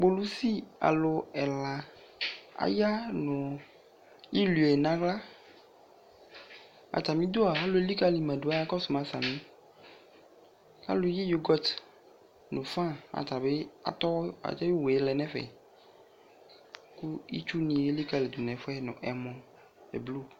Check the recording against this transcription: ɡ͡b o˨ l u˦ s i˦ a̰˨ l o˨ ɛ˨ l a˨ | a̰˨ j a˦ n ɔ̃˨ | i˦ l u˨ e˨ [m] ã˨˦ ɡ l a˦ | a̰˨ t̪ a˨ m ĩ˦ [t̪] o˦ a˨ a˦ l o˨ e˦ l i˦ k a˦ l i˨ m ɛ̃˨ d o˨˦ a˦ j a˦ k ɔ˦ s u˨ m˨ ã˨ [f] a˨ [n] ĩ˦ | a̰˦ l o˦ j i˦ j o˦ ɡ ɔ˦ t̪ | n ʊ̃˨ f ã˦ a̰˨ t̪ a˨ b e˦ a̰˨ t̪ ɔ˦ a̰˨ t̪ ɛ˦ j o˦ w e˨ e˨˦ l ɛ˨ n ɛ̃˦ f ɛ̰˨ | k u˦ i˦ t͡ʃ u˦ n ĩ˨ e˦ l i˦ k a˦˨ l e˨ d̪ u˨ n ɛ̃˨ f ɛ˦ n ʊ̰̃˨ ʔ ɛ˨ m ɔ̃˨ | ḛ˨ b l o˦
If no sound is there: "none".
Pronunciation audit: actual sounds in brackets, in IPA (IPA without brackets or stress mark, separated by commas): n, d̪, s, m